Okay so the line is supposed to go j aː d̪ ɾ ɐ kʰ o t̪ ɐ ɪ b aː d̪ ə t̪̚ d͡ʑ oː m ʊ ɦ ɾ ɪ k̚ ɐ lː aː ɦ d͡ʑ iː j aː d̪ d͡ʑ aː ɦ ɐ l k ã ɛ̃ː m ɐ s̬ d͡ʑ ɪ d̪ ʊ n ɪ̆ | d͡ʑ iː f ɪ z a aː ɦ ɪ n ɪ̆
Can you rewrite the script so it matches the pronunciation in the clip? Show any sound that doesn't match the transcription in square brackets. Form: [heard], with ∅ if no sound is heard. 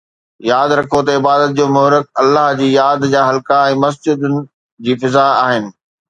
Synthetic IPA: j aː d̪ ɾ ɐ kʰ o t̪ ɐ ɪ b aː d̪ ə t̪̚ d͡ʑ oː m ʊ ɦ ɾ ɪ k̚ ɐ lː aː ɦ d͡ʑ iː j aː d̪ d͡ʑ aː ɦ ɐ l k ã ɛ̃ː m ɐ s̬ d͡ʑ ɪ d̪ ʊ n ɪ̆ | d͡ʑ iː f ɪ z a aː ɦ ɪ n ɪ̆

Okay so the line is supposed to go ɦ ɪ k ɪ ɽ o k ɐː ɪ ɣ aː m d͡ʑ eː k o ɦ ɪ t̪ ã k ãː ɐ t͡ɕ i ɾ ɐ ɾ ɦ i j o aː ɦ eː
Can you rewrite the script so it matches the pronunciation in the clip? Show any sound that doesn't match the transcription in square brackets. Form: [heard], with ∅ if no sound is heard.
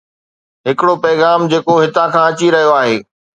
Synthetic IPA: ɦ ɪ k ɪ ɽ o [p] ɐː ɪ ɣ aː m d͡ʑ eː k o ɦ ɪ t̪ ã [kʰ] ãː ɐ t͡ɕ i ɾ ɐ [∅] ɦ i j o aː ɦ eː

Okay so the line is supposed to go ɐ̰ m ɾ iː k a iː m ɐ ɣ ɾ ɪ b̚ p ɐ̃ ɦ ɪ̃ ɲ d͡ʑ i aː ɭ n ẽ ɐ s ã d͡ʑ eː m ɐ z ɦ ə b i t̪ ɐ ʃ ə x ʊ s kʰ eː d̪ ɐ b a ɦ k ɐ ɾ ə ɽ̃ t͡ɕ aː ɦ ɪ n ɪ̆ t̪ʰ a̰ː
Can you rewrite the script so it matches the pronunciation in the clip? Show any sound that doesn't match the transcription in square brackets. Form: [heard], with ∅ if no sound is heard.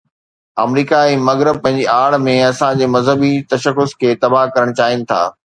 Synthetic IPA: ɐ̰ m ɾ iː k a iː m ɐ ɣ ɾ ɪ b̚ p ɐ̃ ɦ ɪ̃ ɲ d͡ʑ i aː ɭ [m] ẽ ɐ s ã d͡ʑ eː m ɐ z ɦ ə b i t̪ ɐ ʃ ə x ʊ s kʰ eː [t̪] ɐ b a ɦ k ɐ ɾ ə ɽ̃ t͡ɕ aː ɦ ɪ n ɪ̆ t̪ʰ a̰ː

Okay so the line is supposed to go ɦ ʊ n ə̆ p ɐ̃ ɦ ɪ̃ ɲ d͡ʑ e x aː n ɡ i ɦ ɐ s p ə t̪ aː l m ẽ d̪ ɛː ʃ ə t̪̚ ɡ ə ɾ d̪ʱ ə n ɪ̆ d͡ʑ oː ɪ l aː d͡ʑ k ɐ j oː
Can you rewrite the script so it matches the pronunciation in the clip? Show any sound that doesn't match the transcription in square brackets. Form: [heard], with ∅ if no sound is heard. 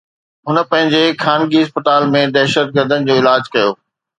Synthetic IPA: ɦ ʊ n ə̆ p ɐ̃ ɦ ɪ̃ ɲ d͡ʑ e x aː n ɡ i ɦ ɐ s p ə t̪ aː l m ẽ d̪ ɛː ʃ ə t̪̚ ɡ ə ɾ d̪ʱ ə n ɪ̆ d͡ʑ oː ɪ l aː d͡ʑ k ɐ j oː

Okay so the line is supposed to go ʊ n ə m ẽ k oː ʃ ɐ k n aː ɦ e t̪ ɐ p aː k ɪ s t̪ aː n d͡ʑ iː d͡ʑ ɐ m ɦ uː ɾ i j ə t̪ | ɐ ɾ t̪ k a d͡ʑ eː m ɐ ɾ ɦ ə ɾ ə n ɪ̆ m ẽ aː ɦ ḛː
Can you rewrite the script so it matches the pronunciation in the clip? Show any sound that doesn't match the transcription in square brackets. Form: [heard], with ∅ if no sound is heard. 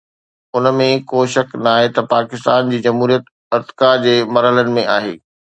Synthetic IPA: ʊ n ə m ẽ k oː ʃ ɐ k n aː ɦ e t̪ ɐ p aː k ɪ s t̪ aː n d͡ʑ iː d͡ʑ ɐ m ɦ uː ɾ i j ə t̪ | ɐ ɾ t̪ k a d͡ʑ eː m ɐ ɾ ɦ ə [l] ə n ɪ̆ m ẽ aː ɦ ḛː

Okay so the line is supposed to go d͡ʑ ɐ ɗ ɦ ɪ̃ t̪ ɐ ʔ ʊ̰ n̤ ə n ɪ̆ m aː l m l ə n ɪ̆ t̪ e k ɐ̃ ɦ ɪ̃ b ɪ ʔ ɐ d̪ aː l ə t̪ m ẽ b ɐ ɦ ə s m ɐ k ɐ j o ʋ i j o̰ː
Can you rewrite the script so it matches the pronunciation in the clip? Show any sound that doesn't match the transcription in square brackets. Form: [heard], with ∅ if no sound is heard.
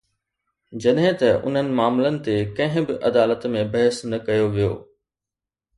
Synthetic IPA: d͡ʑ ɐ ɗ ɦ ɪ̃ t̪ ɐ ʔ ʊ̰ n̤ ə n ɪ̆ m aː [∅] m l ə n ɪ̆ t̪ e k ɐ̃ ɦ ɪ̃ b ɪ ʔ ɐ d̪ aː l ə t̪ m ẽ b ɐ ɦ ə s [n] ɐ k ɐ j o ʋ i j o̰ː

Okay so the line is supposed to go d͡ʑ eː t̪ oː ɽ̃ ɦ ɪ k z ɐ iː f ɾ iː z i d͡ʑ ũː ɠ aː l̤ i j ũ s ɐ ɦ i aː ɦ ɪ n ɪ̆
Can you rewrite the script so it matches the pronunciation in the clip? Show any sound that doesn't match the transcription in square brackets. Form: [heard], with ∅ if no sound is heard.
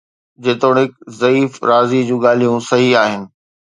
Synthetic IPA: d͡ʑ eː t̪ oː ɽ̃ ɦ ɪ k z ɐ iː f ɾ [aː] z i d͡ʑ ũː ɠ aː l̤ i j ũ s ɐ ɦ i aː ɦ ɪ n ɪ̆

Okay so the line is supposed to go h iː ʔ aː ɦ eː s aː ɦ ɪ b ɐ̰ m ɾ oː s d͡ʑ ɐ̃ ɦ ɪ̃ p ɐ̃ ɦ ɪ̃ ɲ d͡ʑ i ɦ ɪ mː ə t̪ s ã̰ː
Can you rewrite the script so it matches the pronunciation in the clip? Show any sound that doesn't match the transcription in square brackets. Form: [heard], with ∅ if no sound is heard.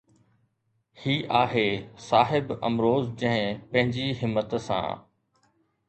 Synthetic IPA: h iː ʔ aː ɦ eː s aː ɦ ɪ b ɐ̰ m ɾ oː [z] d͡ʑ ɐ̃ ɦ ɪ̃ p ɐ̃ ɦ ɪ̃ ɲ d͡ʑ i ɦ ɪ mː ə t̪ s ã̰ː

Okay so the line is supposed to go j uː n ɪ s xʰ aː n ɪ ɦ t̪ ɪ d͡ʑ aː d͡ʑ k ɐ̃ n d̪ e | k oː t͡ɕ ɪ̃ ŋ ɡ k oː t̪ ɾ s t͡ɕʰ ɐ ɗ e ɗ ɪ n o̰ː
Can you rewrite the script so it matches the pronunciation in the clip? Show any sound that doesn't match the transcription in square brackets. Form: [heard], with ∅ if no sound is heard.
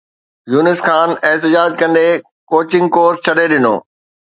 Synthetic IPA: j uː n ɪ s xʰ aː n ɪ ɦ t̪ ɪ d͡ʑ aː d͡ʑ k ɐ̃ n d̪ e | k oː t͡ɕ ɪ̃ ŋ ɡ k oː [∅] ɾ s t͡ɕʰ ɐ ɗ e ɗ ɪ n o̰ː

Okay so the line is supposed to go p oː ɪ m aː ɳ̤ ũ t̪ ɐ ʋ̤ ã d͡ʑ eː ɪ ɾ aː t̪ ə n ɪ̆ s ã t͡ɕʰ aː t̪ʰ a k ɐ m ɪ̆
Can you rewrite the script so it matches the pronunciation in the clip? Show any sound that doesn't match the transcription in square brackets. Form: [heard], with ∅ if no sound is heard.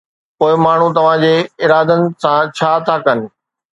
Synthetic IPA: p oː ɪ m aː ɳ̤ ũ t̪ ɐ ʋ̤ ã d͡ʑ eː ɪ ɾ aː [d̪] ə n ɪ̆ s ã t͡ɕʰ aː t̪ʰ a k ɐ [n] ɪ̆

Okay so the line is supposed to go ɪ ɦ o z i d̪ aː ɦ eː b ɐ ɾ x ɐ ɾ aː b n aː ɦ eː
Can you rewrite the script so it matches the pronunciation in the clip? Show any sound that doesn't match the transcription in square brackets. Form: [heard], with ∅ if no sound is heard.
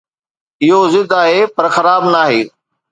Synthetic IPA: ɪ ɦ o z [ɪ] d̪ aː ɦ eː [p] ɐ ɾ x ɐ ɾ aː b n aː ɦ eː

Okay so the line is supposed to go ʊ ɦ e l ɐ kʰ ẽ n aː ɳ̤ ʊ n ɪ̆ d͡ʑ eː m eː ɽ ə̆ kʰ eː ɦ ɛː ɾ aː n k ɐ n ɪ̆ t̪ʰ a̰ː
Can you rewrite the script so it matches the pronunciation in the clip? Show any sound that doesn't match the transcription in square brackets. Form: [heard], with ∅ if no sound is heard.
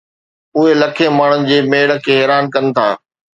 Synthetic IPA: ʊ ɦ e l ɐ kʰ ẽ [m] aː ɳ̤ ʊ n ɪ̆ d͡ʑ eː m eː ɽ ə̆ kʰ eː ɦ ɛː ɾ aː n k ɐ n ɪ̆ t̪ʰ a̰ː

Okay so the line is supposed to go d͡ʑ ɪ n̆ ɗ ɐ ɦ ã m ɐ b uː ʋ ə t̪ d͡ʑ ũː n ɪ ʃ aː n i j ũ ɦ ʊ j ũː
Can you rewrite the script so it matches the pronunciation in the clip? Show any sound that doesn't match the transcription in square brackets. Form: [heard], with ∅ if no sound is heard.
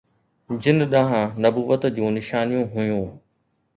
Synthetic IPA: d͡ʑ ɪ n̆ ɗ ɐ ɦ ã [n] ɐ b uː ʋ ə t̪ d͡ʑ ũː n ɪ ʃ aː n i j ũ ɦ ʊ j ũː

